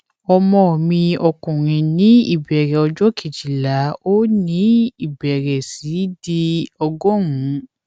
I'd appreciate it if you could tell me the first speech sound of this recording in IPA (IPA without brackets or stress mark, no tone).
ɔ